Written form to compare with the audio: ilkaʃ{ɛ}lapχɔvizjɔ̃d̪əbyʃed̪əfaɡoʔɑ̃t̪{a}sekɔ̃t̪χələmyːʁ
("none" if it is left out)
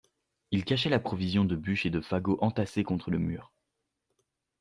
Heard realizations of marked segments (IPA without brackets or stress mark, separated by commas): ɛ, a